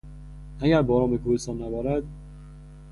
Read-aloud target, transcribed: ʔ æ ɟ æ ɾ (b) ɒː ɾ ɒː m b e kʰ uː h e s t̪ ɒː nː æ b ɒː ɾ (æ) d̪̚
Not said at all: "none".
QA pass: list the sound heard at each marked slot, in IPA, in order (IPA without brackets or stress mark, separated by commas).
b, æ